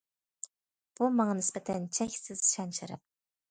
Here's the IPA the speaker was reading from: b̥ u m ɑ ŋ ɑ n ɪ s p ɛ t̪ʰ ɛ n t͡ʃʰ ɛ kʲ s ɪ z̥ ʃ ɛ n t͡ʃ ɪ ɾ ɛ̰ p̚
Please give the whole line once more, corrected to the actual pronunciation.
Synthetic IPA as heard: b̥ u m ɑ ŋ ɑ n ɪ s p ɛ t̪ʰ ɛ n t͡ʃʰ ɛ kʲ s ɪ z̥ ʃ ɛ n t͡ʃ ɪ ɾ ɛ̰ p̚